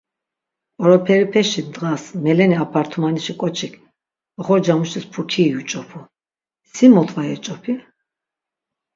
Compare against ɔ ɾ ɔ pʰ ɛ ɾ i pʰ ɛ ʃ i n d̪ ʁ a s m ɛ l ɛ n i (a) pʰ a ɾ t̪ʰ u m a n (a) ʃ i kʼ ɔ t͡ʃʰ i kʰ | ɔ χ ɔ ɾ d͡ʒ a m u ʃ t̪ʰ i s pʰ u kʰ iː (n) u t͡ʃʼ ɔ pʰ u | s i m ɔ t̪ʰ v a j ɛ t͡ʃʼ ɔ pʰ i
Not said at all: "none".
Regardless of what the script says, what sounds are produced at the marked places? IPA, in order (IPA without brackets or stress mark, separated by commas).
a, i, none